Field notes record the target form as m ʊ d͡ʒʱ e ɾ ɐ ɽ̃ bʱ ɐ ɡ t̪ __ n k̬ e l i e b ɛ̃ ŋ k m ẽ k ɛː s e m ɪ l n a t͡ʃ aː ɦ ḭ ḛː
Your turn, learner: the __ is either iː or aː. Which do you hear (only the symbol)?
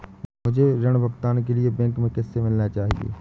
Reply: aː